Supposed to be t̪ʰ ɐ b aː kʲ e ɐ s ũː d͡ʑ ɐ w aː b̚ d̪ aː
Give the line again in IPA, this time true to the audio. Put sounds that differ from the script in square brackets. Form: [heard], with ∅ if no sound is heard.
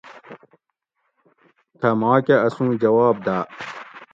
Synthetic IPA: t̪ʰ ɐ [m] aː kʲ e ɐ s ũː d͡ʑ ɐ w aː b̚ d̪ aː